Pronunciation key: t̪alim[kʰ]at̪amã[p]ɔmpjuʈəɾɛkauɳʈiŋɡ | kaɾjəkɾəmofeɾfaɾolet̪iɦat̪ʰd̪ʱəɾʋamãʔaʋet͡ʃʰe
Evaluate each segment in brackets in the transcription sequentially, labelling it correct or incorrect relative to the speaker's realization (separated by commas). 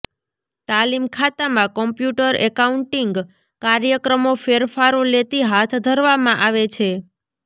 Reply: correct, incorrect